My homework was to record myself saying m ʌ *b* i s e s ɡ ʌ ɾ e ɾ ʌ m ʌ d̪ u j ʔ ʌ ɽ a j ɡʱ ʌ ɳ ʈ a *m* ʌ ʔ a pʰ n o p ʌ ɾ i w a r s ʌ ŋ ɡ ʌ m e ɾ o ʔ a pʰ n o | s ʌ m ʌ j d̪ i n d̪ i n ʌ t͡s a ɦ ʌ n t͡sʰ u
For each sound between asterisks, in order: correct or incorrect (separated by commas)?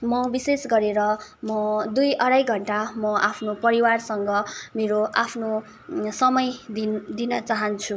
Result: correct, correct